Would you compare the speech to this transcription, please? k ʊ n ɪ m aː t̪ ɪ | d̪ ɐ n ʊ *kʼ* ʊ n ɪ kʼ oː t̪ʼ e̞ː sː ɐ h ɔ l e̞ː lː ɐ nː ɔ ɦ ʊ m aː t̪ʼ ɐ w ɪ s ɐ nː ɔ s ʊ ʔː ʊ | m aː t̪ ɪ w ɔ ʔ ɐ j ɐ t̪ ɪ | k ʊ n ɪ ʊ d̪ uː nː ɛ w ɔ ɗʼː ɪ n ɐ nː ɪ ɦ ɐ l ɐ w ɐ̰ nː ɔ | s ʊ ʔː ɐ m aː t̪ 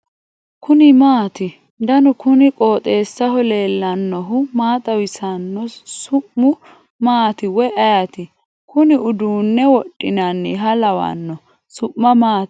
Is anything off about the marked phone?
yes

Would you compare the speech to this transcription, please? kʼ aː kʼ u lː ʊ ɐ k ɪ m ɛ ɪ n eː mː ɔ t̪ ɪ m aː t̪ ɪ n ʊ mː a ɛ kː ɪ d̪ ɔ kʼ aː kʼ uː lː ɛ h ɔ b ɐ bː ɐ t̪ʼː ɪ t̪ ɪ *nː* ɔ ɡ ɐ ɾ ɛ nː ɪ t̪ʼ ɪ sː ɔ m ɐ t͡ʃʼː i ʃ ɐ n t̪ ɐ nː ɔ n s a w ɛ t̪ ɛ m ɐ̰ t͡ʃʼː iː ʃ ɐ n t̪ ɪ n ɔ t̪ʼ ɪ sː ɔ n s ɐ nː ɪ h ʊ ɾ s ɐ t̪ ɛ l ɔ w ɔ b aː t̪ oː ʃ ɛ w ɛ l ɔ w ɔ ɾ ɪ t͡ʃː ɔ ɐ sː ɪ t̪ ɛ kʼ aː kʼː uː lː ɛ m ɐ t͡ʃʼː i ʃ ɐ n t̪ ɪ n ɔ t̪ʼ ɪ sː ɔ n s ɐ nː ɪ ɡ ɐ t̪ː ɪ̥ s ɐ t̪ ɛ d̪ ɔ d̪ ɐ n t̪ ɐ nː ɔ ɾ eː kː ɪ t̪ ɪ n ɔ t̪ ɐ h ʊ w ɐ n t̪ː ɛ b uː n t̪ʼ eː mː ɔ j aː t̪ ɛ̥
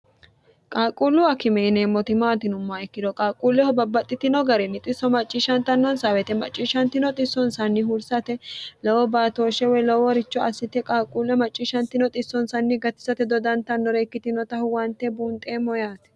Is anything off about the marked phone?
yes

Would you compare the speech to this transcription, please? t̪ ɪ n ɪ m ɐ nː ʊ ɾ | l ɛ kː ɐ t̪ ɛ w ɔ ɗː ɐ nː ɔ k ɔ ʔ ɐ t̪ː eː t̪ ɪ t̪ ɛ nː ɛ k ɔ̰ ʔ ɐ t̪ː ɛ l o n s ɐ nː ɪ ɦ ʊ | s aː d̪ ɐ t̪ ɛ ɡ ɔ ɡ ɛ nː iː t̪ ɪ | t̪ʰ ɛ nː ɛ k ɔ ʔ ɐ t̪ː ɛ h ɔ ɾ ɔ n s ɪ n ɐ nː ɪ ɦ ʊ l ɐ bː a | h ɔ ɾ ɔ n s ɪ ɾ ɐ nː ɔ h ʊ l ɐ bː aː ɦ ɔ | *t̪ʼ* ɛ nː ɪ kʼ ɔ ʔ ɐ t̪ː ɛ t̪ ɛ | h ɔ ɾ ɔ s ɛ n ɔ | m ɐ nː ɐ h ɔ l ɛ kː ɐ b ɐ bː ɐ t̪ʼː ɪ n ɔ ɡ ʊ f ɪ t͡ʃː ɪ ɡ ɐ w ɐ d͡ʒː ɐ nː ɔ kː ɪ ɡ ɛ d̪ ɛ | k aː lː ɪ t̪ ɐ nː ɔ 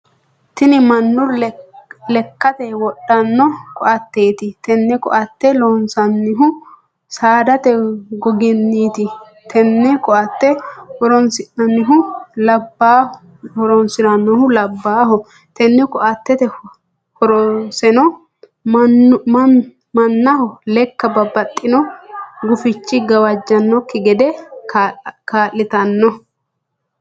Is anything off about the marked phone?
yes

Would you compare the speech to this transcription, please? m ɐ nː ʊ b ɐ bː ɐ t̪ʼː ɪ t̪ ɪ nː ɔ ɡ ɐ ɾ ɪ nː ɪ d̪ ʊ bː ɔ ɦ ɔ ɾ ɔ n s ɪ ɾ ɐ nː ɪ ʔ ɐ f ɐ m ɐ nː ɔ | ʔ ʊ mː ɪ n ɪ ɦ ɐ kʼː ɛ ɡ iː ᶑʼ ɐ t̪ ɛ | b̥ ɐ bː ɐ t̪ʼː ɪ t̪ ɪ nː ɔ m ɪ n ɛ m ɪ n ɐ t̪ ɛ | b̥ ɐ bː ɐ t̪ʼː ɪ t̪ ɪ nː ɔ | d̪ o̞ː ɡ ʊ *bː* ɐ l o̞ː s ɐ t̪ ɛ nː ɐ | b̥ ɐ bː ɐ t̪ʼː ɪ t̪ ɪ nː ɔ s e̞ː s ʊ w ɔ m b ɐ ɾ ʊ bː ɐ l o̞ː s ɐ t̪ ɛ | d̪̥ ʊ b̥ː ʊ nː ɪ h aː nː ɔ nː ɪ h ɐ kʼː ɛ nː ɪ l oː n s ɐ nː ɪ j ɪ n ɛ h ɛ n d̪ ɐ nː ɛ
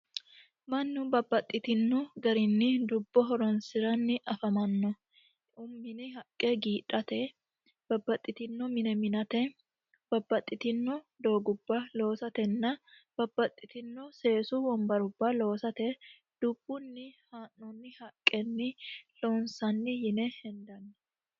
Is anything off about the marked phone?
no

